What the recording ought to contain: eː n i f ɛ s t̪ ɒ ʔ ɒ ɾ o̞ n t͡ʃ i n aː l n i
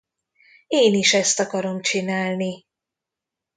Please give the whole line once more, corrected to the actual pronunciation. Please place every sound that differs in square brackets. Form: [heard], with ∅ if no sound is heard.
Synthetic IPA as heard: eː n i [ʃ] ɛ s t̪ ɒ [k] ɒ ɾ o̞ [m] t͡ʃ i n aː l n i